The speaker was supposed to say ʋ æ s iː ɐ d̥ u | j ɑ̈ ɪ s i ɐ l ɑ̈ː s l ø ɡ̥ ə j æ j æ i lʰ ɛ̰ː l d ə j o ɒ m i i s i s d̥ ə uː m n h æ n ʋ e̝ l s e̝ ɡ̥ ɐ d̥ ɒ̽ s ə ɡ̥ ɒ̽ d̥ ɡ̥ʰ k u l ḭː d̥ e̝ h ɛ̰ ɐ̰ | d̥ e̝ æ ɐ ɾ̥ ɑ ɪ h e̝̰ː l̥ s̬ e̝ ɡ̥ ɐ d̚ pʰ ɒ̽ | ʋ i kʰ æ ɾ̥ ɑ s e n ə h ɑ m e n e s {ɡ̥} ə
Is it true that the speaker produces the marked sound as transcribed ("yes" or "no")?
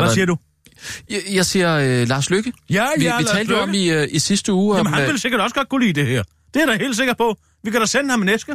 yes